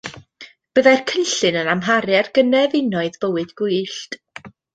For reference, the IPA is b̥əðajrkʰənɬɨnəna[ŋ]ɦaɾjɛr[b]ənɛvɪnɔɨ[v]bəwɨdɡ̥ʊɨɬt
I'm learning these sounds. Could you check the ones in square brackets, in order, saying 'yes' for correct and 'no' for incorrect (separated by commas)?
no, no, no